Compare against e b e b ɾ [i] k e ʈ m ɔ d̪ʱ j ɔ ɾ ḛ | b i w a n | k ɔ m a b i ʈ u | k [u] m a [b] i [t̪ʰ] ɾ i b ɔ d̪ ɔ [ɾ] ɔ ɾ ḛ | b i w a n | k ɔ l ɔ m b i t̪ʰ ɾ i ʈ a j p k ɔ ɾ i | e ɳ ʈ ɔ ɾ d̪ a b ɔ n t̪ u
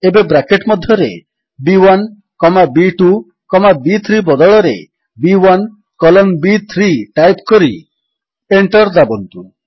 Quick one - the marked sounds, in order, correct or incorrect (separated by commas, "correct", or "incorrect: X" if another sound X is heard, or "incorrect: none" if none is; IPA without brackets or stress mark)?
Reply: incorrect: a, incorrect: ɔ, correct, correct, incorrect: ɭ